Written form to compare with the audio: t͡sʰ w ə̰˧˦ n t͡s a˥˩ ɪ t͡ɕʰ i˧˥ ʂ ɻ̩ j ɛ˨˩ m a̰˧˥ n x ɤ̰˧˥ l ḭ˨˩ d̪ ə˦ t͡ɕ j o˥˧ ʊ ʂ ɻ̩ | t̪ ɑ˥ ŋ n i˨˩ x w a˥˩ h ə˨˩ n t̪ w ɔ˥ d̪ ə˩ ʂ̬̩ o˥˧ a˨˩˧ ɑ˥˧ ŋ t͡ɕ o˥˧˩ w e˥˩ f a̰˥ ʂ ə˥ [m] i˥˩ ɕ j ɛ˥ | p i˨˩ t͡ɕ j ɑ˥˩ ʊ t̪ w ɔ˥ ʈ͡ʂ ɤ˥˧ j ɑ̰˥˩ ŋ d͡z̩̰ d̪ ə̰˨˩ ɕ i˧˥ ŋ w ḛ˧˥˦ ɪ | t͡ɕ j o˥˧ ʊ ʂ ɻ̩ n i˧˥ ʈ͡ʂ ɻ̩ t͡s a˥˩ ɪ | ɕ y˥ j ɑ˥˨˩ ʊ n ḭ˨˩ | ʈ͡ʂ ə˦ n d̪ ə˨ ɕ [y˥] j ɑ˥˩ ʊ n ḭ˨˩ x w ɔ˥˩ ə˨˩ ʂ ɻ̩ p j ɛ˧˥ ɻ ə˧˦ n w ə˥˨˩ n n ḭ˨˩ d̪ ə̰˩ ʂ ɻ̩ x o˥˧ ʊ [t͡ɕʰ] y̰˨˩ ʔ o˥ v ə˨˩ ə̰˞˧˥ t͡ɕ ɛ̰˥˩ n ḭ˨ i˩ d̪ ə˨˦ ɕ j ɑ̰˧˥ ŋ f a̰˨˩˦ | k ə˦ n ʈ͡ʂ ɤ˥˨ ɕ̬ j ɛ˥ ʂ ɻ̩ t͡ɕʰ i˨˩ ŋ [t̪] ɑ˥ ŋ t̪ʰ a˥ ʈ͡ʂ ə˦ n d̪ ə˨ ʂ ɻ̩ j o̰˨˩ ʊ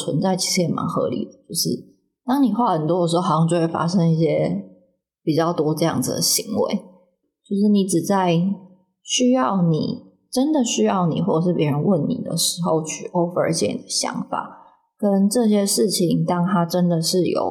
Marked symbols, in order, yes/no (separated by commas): no, yes, yes, yes